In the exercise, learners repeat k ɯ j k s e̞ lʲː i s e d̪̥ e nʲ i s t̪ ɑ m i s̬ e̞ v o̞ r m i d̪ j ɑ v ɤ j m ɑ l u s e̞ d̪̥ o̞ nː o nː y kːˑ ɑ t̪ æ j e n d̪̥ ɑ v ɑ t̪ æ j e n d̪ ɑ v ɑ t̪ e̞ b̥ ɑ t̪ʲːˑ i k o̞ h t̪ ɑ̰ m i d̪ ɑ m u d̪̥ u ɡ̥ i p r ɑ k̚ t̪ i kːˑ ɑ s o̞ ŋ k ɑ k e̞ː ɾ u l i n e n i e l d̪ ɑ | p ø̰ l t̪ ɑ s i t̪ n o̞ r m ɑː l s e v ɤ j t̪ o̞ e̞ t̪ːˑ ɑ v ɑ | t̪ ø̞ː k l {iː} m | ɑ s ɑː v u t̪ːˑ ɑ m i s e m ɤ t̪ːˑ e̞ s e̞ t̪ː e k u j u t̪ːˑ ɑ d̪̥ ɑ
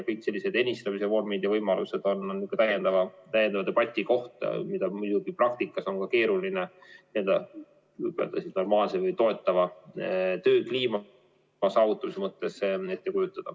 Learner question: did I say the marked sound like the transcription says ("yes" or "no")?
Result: yes